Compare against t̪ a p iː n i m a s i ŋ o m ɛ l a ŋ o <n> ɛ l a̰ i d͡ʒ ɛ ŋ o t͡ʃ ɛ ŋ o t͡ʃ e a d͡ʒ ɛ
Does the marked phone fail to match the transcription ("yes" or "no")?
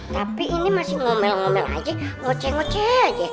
yes